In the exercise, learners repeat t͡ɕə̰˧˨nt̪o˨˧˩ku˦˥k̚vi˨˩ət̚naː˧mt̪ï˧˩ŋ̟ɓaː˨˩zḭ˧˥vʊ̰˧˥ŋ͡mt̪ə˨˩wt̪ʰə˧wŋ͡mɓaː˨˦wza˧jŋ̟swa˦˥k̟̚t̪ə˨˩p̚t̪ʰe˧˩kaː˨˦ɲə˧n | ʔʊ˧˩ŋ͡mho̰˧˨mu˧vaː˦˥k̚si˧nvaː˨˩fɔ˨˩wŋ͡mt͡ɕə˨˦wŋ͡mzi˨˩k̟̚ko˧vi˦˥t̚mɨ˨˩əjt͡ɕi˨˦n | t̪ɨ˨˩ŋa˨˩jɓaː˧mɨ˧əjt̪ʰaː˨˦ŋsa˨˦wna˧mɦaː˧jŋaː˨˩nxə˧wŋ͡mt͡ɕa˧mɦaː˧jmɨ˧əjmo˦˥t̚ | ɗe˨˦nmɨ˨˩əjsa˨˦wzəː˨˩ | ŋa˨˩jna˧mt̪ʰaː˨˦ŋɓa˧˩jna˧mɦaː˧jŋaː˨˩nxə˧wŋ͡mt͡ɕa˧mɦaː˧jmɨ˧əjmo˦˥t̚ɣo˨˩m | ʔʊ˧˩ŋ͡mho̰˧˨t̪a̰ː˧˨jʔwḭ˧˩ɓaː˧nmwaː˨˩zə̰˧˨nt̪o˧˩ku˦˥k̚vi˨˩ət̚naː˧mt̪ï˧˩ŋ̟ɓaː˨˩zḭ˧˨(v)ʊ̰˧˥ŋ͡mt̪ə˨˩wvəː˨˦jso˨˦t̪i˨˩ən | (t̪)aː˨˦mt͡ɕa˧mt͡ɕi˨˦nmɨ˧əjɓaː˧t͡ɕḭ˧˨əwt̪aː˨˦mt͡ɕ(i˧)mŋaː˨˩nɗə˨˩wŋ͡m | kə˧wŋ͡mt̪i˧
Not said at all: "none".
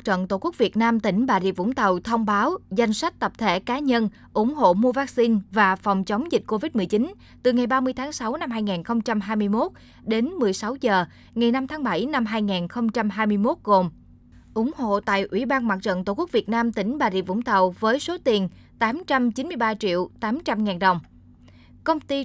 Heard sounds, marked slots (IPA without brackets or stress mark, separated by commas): v, t̪, a˧